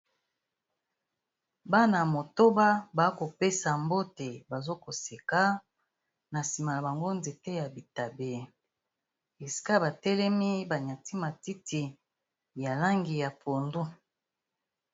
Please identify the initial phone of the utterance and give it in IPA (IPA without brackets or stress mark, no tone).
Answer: b